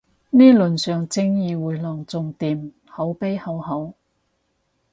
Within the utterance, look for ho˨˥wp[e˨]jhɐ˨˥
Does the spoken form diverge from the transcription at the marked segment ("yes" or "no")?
yes